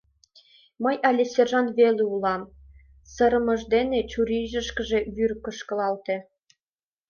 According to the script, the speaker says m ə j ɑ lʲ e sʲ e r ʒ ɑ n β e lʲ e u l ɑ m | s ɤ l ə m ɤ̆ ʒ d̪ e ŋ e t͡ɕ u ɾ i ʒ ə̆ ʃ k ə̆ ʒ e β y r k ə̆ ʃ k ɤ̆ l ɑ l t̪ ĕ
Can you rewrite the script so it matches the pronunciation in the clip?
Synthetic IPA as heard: m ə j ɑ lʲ e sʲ e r ʒ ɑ n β e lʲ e u l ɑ m | s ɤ ɾ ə m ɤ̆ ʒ d̪ e n e t͡ɕ u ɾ i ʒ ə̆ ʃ k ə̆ ʒ e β y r k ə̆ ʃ k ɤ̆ l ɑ l t̪ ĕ